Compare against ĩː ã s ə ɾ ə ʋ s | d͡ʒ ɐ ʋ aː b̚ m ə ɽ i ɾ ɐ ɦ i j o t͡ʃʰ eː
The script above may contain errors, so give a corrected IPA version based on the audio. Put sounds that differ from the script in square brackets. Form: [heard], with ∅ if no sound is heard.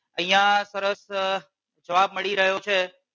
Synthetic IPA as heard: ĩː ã s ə ɾ ə [∅] s | d͡ʒ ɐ ʋ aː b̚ m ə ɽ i ɾ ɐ ɦ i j o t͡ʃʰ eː